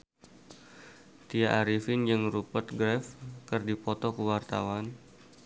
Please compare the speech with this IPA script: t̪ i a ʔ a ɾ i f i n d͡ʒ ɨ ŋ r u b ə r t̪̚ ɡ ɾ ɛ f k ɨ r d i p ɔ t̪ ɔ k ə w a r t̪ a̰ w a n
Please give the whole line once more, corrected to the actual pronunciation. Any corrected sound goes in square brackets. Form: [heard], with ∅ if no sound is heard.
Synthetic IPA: t̪ i a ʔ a ɾ i f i n d͡ʒ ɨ ŋ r u [p] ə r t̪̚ ɡ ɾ ɛ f k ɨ r d i p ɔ t̪ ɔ k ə w a r t̪ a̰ w a n